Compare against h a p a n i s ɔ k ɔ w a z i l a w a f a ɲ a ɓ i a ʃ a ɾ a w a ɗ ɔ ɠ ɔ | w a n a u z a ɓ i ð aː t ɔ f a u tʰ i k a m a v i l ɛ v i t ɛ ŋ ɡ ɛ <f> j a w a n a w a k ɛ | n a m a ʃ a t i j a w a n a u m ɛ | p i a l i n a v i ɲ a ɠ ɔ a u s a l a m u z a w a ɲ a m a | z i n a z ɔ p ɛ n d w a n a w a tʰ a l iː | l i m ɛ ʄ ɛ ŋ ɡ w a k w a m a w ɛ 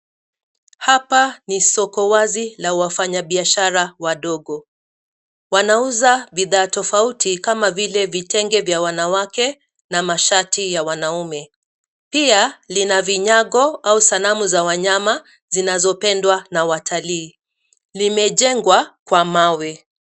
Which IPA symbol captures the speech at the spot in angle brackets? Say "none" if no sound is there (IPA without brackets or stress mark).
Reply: v